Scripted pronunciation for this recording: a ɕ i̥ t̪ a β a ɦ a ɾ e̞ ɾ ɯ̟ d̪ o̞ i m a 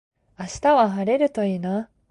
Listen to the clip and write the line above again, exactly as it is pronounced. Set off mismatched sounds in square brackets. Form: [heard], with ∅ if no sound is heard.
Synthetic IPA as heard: a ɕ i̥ t̪ a β a ɦ a ɾ e̞ ɾ ɯ̟ [t̪] o̞ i [n] a